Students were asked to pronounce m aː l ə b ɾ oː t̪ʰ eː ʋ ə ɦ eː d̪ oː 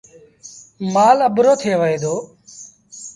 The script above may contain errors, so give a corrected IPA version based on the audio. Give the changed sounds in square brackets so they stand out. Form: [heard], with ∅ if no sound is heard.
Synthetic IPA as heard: m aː l ə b ɾ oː t̪ʰ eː ʋ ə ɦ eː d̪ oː